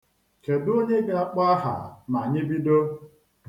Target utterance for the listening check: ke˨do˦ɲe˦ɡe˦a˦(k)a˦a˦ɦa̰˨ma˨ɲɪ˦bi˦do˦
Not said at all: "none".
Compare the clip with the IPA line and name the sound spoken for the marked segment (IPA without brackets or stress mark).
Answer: k͡p